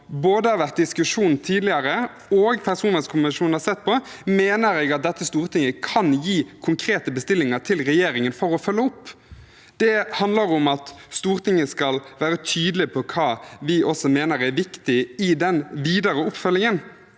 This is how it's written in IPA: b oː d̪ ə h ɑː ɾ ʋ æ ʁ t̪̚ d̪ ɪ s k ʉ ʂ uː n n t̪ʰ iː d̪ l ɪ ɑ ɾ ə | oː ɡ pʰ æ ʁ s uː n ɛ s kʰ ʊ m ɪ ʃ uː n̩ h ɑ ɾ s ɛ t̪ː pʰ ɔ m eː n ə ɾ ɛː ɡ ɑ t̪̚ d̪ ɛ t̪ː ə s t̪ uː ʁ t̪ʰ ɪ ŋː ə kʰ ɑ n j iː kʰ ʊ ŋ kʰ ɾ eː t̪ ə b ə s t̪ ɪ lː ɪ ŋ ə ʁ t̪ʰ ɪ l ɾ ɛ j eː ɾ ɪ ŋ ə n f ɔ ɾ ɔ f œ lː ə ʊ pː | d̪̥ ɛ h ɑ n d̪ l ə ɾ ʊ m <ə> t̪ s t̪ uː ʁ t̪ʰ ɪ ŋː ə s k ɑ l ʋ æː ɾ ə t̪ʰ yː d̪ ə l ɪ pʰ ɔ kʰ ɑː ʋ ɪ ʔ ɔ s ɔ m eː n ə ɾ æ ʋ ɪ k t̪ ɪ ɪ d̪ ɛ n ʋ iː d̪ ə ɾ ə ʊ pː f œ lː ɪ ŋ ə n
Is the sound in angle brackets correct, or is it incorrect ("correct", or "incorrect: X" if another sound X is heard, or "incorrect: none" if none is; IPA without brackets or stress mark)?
incorrect: ɑ